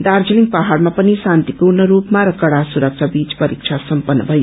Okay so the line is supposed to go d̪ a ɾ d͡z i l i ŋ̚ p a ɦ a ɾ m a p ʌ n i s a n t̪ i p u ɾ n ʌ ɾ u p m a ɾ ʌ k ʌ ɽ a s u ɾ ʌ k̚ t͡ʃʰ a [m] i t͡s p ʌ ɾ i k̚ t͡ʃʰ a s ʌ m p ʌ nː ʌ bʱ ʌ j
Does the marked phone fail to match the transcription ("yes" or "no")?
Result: yes